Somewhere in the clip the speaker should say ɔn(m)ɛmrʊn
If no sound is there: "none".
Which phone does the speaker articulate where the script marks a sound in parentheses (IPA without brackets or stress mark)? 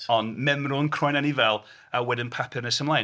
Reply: m